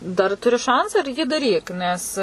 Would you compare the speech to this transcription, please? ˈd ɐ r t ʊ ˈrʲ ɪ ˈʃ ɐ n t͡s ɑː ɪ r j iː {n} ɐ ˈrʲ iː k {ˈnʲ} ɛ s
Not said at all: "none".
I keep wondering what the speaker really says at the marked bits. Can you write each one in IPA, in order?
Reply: d, nʲ

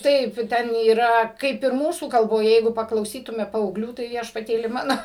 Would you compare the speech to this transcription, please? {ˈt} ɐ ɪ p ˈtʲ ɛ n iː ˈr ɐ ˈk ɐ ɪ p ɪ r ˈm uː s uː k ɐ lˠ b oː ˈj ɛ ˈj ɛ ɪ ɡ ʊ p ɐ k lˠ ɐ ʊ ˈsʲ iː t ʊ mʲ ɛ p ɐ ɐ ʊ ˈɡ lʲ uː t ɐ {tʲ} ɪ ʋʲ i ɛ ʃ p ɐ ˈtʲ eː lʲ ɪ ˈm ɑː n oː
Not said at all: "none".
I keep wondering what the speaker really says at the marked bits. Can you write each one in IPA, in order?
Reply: t, none

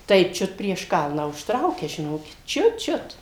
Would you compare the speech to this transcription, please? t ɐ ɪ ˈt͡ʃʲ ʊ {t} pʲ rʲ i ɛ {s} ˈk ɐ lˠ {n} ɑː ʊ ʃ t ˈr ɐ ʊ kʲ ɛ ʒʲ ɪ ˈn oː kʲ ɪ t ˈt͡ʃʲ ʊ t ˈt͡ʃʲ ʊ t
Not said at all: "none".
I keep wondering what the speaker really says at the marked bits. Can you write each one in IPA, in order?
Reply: t, ʃ, n

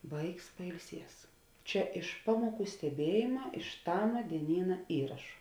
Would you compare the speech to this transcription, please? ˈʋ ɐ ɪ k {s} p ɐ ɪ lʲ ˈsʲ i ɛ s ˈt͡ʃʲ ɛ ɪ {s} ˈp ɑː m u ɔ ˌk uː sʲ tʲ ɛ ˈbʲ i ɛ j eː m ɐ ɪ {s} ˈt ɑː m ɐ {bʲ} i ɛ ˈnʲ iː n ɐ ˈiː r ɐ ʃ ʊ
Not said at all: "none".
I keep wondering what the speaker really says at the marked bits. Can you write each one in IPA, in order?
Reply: s, ʃ, ʃ, dʲ

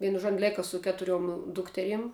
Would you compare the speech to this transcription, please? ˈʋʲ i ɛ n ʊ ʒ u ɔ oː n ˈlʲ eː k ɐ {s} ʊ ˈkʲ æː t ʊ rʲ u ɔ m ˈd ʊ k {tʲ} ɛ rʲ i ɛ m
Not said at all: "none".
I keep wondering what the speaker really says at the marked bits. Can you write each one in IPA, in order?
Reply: s, tʲ

